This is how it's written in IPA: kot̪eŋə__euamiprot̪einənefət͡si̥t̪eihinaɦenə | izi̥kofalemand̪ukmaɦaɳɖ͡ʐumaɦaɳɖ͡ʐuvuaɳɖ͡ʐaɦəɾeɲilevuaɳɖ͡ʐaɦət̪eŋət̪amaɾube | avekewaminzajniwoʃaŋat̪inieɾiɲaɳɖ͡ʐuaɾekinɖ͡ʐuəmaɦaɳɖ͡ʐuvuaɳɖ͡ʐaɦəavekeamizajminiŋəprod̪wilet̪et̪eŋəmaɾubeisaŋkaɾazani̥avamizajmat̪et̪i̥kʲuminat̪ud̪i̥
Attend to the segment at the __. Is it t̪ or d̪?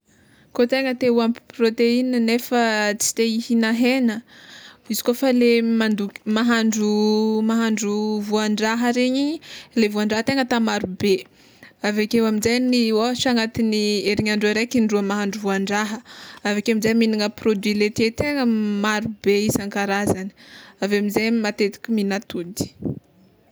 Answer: t̪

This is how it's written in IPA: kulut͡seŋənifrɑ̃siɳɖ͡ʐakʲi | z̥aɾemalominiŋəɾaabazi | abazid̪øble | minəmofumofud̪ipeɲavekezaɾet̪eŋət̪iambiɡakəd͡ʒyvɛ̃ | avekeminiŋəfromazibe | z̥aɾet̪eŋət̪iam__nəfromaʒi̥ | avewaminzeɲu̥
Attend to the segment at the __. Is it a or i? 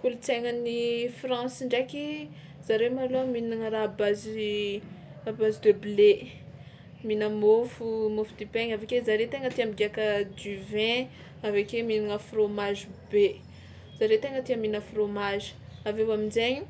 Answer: i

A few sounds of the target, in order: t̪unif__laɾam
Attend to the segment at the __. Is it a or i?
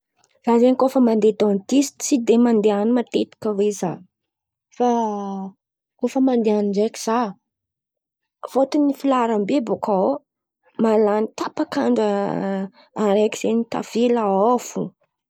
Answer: i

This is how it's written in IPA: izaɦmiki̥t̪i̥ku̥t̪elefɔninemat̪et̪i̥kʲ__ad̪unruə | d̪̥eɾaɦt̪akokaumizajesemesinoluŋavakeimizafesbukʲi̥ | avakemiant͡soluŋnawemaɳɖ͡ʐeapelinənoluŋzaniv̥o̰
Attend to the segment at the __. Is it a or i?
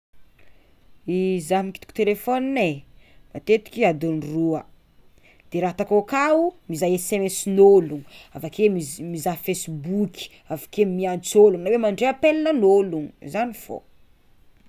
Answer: i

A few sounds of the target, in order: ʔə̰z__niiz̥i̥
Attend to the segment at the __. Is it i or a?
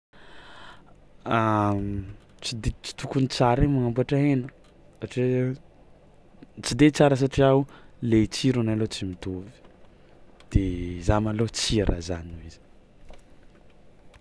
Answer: a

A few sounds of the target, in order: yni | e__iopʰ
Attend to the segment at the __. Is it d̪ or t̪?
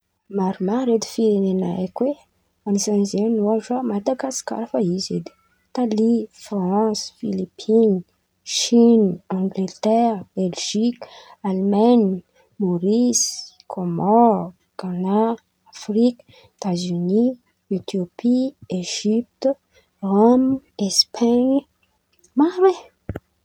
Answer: t̪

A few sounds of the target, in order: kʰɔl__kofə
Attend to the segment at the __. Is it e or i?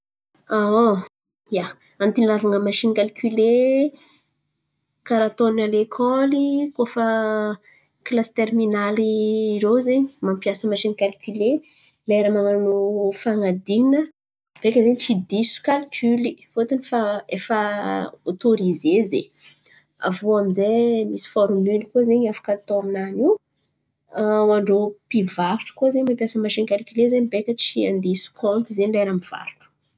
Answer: i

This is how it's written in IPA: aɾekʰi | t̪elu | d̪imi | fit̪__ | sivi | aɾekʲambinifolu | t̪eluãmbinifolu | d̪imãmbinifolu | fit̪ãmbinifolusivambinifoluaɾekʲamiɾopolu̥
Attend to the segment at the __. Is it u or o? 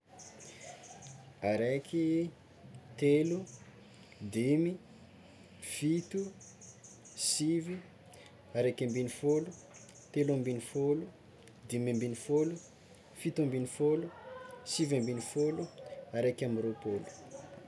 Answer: u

